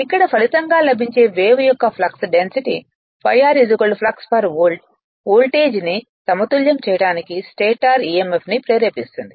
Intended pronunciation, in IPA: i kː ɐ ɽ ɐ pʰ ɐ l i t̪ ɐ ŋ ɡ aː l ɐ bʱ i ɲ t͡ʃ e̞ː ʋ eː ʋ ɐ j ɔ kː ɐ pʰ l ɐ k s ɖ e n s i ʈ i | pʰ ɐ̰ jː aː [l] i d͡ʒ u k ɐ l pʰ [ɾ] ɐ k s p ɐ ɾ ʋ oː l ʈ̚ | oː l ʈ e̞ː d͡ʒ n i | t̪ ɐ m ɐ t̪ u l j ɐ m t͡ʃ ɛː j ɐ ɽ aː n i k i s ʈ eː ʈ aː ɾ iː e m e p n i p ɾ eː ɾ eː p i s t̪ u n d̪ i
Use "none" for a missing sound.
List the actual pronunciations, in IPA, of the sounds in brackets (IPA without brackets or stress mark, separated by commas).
ɾ, l